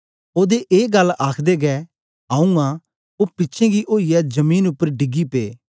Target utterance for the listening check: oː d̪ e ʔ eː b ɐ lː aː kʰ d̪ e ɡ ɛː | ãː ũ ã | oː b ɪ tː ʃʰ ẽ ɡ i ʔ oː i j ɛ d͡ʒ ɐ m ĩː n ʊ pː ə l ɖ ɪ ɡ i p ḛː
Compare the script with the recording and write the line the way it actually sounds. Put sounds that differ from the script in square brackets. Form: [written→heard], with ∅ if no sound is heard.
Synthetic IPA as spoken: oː d̪ e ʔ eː [b→ɡ] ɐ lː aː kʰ d̪ e ɡ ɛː | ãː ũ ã | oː [b→p] ɪ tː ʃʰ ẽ ɡ i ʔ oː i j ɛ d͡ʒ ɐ m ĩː n ʊ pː ə [l→ɾ] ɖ ɪ ɡ i p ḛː

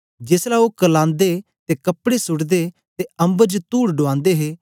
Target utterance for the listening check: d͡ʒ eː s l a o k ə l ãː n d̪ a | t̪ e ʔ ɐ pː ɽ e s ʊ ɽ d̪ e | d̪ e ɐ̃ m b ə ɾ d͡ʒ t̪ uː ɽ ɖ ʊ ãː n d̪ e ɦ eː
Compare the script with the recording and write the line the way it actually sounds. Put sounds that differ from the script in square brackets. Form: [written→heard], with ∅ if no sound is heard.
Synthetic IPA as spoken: d͡ʒ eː s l a o k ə l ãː n d̪ [a→e] | t̪ e [ʔ→k] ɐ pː ɽ e s ʊ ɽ d̪ e | [d̪→t̪] e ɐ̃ m b ə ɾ d͡ʒ t̪ uː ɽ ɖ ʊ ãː n d̪ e ɦ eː

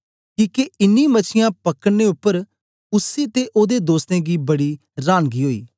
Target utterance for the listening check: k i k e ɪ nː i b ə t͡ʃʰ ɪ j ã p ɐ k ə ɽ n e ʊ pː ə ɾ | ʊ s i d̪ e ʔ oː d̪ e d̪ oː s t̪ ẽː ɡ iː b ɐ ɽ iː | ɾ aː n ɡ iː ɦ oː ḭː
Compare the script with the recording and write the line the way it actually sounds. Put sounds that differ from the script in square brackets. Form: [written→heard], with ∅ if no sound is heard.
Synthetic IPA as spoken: k [i→iː] k e ɪ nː i [b→m] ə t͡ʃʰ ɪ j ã p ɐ k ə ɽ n e ʊ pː ə ɾ | ʊ s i [d̪→t̪] e ʔ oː d̪ e d̪ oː s t̪ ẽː ɡ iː b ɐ ɽ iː | ɾ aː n ɡ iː ɦ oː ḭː

